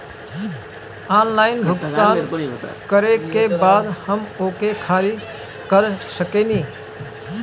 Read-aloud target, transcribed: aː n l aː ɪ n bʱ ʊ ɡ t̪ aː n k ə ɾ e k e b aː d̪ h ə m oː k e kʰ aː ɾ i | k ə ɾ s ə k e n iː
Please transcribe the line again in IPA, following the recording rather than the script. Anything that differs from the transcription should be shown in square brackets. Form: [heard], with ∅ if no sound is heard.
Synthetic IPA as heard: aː n l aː ɪ n bʱ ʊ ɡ t̪ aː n k ə ɾ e k e b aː d̪ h ə m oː k e kʰ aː ɾ i | k ə ɾ s ə k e n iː

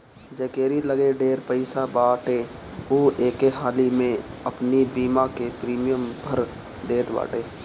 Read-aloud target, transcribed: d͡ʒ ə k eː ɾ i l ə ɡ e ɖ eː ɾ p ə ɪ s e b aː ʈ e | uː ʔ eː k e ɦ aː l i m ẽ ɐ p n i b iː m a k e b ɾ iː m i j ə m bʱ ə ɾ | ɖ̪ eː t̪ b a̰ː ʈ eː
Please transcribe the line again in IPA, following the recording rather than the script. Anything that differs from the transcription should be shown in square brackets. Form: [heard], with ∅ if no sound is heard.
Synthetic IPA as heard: d͡ʒ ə k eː ɾ i l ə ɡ e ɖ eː ɾ p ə ɪ s [a] b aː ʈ e | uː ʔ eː k e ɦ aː l i m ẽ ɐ p n i b iː m a k e [p] ɾ iː m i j ə m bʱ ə ɾ | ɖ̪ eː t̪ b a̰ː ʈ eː

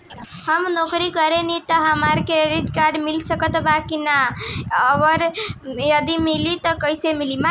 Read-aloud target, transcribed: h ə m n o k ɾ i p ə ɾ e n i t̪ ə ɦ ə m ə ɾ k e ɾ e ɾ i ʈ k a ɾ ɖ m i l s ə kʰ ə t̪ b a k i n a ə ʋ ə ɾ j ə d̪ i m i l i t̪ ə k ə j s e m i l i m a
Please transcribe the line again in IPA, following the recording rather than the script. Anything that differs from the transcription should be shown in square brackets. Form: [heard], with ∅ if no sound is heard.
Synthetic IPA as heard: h ə m n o k ɾ i [k] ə ɾ e n i t̪ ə ɦ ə m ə ɾ k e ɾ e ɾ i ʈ k a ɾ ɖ m i l s ə [k] ə t̪ b a k i n a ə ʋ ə ɾ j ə d̪ i m i l i t̪ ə k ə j s e m i l i m a

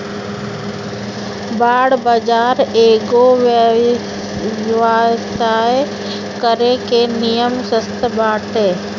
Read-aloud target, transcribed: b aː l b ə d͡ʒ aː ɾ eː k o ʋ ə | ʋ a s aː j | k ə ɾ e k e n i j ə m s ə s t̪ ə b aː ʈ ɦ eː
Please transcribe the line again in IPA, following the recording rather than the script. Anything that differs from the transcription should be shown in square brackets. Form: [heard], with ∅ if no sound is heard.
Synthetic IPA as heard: b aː [ɽ] b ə d͡ʒ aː ɾ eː [ɡ] o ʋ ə | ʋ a s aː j | k ə ɾ e k e n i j ə m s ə s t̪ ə b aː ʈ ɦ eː

